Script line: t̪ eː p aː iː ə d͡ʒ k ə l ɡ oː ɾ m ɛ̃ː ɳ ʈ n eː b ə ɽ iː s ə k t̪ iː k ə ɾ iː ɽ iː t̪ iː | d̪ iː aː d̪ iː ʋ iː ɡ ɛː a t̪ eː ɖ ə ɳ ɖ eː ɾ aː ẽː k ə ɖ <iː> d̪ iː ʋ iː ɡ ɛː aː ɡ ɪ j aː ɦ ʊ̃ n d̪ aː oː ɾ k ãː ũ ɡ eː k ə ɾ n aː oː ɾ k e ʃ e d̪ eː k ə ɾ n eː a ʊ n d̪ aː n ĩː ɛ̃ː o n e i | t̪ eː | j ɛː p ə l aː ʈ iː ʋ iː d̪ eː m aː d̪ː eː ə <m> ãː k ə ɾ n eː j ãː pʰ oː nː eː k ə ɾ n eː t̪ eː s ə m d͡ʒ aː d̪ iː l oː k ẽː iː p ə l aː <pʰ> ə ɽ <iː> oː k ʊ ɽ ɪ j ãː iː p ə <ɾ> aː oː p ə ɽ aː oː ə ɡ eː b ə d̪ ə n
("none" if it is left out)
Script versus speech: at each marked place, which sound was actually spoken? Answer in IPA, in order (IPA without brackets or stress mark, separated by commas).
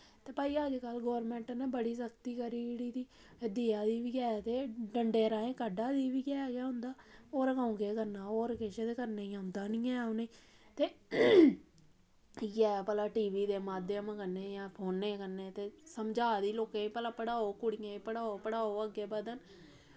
aː, m, p, aː, ɽ